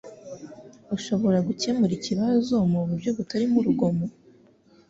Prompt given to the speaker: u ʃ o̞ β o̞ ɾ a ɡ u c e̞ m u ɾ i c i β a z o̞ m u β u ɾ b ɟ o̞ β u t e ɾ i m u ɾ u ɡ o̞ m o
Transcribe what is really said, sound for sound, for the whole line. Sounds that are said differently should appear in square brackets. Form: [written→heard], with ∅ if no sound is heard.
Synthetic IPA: u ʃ o̞ β o̞ ɾ a ɡ u c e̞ m u ɾ i c i β a z o̞ m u β u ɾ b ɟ o̞ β u t [e→a] ɾ i m u ɾ u ɡ o̞ m o